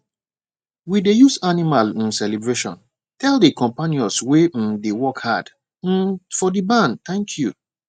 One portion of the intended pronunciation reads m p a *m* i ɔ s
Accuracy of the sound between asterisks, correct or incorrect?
incorrect